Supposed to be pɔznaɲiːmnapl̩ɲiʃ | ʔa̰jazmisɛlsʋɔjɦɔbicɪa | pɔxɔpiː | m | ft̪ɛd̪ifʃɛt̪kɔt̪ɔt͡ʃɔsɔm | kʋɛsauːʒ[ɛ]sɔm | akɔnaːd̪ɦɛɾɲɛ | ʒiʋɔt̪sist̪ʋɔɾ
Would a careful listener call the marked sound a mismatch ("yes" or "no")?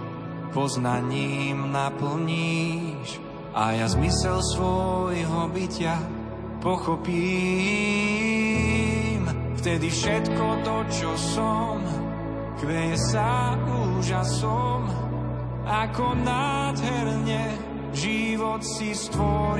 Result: yes